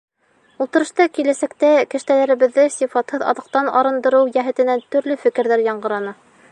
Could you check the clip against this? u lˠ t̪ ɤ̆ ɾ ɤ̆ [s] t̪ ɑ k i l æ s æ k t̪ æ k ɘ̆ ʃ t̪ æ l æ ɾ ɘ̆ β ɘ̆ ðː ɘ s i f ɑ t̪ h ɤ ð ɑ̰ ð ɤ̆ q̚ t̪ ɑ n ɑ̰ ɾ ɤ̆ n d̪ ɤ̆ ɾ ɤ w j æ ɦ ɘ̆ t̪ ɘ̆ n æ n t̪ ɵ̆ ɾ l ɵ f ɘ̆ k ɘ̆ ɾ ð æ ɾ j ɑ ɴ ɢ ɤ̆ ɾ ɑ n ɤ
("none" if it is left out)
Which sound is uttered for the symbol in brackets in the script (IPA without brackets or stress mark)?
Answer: ʃ